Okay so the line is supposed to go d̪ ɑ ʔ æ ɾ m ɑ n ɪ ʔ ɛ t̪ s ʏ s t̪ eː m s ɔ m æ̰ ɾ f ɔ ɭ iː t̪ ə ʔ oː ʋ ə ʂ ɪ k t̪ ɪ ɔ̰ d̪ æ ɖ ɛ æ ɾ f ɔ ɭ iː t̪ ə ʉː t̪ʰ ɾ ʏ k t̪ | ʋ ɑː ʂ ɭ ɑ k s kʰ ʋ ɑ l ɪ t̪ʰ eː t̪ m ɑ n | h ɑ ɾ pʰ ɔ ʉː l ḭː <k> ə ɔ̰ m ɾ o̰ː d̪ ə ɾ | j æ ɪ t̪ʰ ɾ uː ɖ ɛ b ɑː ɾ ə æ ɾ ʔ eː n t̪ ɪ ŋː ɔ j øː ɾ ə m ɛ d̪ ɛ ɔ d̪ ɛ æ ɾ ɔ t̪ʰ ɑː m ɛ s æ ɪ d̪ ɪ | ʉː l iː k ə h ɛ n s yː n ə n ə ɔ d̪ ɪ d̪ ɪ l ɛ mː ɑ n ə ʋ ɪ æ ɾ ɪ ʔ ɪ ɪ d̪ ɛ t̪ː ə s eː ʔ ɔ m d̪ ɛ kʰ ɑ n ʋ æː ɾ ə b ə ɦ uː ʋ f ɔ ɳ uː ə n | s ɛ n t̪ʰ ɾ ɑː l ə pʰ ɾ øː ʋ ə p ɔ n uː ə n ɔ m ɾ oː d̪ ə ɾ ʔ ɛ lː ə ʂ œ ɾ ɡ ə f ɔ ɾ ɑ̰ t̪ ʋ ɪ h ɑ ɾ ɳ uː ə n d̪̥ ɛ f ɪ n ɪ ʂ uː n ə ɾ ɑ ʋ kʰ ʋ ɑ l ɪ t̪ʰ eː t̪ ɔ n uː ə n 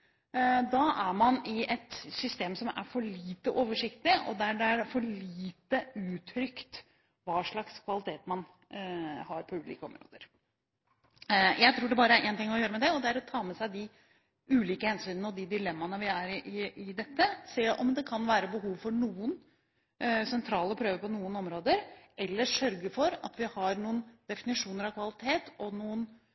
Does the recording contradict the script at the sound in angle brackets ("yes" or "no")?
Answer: no